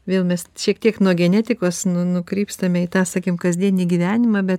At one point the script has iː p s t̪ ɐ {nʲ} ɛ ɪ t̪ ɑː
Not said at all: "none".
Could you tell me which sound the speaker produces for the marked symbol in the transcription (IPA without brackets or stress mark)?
mʲ